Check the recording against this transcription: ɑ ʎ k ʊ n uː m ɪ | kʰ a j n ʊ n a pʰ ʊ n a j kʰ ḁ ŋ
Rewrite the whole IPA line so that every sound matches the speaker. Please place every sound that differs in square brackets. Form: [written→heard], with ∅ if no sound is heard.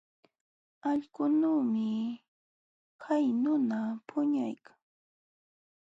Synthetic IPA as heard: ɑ ʎ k ʊ n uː m ɪ | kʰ a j n ʊ n a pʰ ʊ [n→ɲ] a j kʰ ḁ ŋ